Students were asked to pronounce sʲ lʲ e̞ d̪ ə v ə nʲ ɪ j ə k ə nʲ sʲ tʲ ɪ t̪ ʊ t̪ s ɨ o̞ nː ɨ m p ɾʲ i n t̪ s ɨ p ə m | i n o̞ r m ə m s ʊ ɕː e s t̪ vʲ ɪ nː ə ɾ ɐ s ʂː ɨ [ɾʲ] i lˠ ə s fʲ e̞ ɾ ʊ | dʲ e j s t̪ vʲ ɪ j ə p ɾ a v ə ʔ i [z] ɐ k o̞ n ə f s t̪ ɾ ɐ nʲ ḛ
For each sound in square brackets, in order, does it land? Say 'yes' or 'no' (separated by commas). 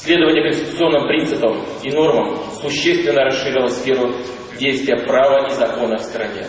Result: yes, yes